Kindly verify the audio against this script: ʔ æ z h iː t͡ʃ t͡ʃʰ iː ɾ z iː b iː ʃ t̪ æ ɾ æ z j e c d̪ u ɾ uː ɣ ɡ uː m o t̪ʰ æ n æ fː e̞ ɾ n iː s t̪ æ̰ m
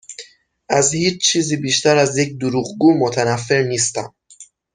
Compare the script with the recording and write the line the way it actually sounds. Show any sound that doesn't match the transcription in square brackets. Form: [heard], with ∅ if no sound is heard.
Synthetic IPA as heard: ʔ æ z h iː t͡ʃ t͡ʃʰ iː [∅] z iː b iː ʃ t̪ æ ɾ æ z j e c d̪ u ɾ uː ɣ ɡ uː m o t̪ʰ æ n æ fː e̞ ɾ n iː s t̪ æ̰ m